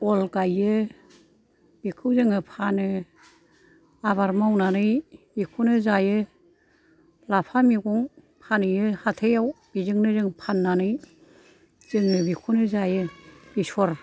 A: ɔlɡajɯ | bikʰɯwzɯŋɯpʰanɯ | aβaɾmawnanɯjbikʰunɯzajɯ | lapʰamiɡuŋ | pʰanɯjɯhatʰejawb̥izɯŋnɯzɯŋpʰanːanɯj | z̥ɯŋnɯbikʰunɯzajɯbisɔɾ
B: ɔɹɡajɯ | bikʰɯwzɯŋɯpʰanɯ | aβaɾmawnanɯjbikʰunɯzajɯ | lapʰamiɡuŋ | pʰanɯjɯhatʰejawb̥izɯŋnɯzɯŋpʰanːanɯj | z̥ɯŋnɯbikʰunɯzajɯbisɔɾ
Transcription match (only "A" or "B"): A